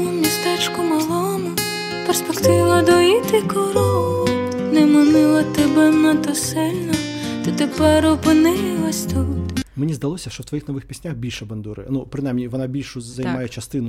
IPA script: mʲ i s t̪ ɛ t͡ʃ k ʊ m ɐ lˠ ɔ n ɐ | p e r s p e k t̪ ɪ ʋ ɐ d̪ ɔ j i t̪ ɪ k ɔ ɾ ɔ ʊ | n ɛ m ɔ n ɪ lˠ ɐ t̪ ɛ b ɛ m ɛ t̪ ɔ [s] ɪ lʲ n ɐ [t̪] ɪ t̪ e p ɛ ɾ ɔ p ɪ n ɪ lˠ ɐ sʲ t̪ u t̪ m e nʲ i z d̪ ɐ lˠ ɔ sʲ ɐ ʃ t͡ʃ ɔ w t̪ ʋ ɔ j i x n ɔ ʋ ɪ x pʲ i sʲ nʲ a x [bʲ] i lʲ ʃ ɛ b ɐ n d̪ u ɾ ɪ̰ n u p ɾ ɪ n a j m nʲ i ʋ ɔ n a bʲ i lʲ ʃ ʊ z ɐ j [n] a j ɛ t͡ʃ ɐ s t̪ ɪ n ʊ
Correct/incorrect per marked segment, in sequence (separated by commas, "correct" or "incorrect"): correct, correct, correct, incorrect